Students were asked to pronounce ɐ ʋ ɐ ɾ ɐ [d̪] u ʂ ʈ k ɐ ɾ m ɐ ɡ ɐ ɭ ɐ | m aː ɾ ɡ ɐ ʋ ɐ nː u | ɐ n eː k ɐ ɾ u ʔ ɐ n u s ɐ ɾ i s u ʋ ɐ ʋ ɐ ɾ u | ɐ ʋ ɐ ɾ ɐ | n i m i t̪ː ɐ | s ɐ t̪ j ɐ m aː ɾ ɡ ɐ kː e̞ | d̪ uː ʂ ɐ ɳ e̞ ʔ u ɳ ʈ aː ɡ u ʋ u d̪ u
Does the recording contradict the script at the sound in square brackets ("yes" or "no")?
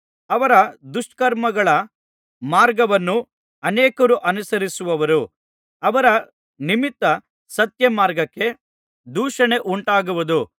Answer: no